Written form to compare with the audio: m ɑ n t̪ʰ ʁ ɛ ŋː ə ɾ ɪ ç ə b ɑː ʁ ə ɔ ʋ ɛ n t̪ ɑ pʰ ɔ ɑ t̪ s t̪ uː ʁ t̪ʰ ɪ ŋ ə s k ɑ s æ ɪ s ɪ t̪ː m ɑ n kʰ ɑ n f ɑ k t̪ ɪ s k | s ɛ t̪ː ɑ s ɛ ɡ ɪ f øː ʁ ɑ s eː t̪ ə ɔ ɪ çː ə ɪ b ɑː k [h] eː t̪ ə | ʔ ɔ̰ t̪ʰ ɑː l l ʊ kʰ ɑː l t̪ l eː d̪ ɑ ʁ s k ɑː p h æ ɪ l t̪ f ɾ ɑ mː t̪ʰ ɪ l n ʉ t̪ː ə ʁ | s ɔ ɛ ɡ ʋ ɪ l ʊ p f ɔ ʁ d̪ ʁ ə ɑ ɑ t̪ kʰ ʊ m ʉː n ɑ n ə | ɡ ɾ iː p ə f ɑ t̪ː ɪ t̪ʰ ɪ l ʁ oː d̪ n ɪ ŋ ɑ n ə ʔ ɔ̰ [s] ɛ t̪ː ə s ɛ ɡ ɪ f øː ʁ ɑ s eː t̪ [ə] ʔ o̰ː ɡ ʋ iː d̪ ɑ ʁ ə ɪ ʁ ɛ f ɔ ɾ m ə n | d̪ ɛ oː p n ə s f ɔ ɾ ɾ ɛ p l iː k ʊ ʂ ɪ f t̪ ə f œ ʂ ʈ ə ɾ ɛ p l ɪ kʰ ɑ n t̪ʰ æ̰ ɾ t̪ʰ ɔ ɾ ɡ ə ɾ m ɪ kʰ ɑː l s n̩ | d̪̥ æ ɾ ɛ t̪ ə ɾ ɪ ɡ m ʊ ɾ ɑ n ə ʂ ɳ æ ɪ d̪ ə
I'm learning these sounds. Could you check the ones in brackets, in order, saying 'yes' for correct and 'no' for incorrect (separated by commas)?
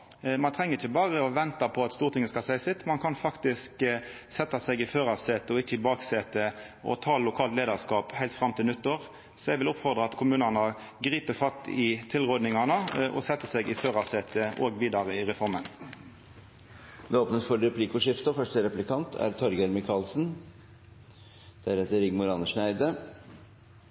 no, yes, yes